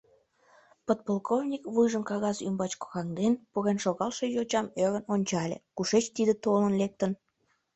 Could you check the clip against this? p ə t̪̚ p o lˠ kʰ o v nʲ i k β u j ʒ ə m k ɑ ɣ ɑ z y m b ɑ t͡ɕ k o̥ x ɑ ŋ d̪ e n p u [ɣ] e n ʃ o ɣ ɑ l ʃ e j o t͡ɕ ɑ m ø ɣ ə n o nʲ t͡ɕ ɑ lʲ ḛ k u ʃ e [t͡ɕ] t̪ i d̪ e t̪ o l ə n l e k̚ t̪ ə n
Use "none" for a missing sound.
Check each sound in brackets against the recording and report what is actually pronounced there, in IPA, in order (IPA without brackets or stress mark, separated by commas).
ɣ, t͡ɕ